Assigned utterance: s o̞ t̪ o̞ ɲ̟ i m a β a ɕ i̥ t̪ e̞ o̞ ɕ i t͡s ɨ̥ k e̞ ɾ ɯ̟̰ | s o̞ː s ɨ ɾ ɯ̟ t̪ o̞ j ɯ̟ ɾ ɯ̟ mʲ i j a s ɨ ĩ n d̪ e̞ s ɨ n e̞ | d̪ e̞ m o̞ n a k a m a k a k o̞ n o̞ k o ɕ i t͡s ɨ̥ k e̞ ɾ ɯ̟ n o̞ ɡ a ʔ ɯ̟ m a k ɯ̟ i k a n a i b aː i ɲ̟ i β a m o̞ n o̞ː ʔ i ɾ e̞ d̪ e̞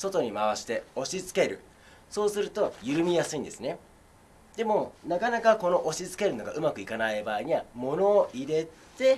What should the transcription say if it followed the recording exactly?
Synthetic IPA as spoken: s o̞ t̪ o̞ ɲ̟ i m a β a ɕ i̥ t̪ e̞ o̞ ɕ i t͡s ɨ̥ k e̞ ɾ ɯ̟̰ | s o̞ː s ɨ ɾ ɯ̟ t̪ o̞ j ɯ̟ ɾ ɯ̟ mʲ i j a s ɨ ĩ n d̪ e̞ s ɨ n e̞ | d̪ e̞ m o̞ n a k a n a k a k o̞ n o̞ ʔ o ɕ i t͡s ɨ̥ k e̞ ɾ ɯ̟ n o̞ ɡ a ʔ ɯ̟ m a k ɯ̟ i k a n a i b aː i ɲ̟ i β a m o̞ n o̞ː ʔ i ɾ e̞ t̪ e̞